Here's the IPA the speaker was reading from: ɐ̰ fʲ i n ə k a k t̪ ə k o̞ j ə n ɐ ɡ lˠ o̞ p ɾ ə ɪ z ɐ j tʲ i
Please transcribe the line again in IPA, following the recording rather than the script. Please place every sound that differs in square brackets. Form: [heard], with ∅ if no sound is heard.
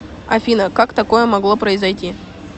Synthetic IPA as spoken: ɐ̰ fʲ i n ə k a k t̪ [ɐ] k o̞ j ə [m] ɐ ɡ lˠ o̞ p ɾ ə ɪ z ɐ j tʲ i